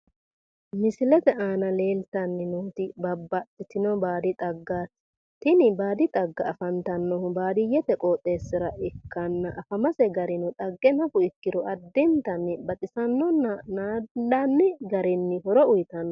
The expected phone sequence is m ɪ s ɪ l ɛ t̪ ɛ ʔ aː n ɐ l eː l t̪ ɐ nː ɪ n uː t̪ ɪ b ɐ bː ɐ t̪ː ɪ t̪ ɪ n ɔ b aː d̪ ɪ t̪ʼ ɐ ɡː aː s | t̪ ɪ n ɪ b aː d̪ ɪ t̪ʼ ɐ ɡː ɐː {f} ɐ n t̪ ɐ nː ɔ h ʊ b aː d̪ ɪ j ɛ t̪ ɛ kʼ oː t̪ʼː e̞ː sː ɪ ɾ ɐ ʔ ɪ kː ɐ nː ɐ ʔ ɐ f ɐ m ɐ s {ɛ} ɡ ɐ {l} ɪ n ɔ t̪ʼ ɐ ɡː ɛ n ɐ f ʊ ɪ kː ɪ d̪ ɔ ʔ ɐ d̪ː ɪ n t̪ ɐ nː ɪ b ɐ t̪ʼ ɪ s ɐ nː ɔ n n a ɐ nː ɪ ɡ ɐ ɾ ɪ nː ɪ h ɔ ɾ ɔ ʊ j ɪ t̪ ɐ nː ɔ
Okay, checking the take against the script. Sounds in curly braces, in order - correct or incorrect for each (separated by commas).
correct, correct, incorrect